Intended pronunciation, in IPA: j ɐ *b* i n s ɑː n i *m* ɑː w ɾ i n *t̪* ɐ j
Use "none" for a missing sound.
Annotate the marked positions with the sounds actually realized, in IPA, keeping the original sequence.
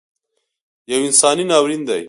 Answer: w, n, d̪

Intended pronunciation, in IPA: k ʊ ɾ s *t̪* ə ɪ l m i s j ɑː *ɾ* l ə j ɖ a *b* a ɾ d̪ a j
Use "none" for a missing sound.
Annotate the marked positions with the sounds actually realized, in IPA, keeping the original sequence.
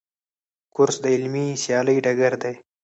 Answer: d̪, none, ɡ

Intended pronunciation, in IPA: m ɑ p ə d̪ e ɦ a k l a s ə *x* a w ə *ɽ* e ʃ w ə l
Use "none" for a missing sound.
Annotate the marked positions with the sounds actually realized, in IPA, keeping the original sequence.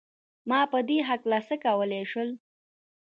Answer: k, l

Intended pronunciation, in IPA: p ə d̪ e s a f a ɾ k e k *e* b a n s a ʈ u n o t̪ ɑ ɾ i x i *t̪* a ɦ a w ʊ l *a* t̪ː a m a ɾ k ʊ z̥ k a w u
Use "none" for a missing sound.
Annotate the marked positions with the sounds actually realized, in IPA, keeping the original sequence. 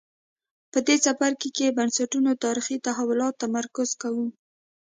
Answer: e, t̪, ɑ

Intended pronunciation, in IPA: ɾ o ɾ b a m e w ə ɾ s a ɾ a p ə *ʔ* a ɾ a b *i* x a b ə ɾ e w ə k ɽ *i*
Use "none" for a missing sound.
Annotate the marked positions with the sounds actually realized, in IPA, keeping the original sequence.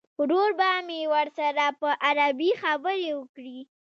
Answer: ʔ, i, i

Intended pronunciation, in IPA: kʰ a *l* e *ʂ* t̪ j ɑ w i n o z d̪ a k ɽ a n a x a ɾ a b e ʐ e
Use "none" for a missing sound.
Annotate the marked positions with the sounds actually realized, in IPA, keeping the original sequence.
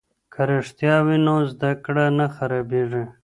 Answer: ɾ, ʂ

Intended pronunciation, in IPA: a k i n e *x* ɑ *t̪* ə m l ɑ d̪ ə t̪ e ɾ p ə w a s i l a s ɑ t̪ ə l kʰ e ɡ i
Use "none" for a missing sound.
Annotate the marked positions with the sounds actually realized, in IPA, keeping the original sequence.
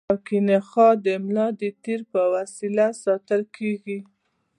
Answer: x, d̪

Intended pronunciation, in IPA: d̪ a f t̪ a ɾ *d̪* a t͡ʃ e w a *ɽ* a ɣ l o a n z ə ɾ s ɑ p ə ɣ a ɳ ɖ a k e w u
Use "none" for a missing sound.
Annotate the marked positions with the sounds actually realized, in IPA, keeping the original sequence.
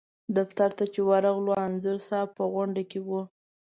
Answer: t̪, ɾ

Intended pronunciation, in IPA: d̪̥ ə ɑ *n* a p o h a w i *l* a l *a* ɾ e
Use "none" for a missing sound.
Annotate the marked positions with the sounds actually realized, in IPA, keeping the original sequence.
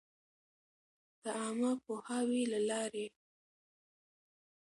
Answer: m, l, ɑ

